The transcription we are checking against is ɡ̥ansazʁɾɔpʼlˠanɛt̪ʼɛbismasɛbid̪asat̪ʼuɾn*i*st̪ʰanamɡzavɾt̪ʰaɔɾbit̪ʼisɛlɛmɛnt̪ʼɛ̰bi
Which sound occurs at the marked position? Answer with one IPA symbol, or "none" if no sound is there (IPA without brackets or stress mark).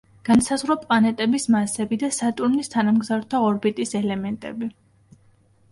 i